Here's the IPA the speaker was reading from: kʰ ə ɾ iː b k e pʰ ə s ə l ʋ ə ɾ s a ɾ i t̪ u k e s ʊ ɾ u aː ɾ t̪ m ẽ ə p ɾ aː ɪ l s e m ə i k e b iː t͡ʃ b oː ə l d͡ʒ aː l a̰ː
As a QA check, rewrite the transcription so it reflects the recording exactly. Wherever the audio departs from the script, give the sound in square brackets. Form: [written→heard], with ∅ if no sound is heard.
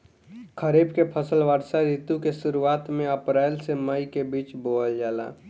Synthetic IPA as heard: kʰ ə ɾ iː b k e pʰ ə s ə l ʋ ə ɾ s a ɾ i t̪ u k e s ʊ ɾ u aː [ɾ→∅] t̪ m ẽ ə p ɾ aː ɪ l s e m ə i k e b iː t͡ʃ b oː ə l d͡ʒ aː l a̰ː